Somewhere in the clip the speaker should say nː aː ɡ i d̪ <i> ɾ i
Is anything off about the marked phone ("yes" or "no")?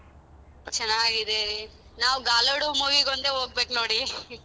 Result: yes